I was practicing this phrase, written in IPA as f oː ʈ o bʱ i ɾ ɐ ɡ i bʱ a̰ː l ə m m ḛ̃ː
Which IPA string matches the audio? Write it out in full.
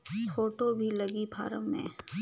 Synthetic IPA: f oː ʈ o bʱ i l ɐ ɡ i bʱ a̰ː ɾ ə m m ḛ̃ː